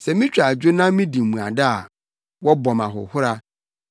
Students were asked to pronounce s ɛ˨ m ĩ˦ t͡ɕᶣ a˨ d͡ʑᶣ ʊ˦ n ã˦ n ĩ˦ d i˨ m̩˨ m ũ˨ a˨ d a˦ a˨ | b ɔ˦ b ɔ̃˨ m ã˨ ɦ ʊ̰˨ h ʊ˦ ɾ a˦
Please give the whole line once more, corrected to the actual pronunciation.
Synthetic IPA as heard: s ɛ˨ m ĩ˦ t͡ɕᶣ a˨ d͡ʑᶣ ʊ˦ n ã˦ m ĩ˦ d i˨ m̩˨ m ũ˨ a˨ d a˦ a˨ | w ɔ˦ b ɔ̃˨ m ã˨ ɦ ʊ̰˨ h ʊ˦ ɾ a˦